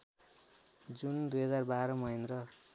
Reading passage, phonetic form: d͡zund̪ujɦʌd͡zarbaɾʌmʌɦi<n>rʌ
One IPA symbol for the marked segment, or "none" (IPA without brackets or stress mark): n